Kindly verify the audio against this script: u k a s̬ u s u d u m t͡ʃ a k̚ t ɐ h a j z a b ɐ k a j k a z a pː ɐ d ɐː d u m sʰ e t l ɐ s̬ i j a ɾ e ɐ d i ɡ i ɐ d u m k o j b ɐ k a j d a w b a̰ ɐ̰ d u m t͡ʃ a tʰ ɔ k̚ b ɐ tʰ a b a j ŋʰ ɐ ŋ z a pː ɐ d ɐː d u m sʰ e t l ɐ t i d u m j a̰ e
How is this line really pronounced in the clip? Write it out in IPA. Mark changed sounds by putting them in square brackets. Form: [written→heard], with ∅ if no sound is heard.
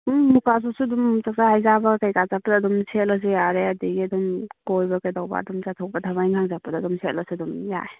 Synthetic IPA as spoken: u k a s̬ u s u d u m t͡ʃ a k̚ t [ɐ→a] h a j z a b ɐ k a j k a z a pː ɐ d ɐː d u m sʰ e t l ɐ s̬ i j a ɾ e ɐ d i ɡ i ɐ d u m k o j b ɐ k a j d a w b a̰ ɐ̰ d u m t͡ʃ a tʰ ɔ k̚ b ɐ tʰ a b a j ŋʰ [ɐ→a] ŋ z a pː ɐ d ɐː d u m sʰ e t l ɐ [t→s] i d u m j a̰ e